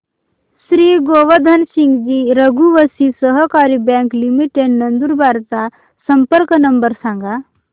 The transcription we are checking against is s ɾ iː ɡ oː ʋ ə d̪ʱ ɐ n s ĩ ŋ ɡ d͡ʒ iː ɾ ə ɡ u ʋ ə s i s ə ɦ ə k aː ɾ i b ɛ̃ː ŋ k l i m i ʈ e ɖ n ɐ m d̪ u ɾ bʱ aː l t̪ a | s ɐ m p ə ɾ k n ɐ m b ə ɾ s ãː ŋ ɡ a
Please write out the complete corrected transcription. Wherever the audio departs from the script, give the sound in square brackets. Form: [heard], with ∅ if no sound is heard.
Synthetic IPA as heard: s ɾ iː ɡ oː ʋ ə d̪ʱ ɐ n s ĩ ŋ ɡ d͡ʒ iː ɾ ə ɡ u ʋ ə s i s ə ɦ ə k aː ɾ i b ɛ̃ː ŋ k l i m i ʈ e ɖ n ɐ [n] d̪ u ɾ bʱ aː [ɾ] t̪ a | s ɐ m p ə ɾ k n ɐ m b ə ɾ s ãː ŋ ɡ a